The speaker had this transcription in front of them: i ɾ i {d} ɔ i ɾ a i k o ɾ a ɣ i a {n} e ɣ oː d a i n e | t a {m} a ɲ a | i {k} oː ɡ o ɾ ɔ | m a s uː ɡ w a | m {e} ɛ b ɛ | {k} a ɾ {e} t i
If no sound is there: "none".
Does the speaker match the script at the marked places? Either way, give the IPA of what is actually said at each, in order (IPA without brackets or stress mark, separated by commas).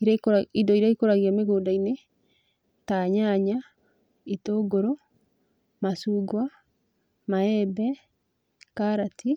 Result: d, m, ɲ, t, a, k, a